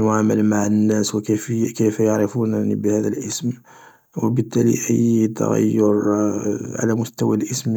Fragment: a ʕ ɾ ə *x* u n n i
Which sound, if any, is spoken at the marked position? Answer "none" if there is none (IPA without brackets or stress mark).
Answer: f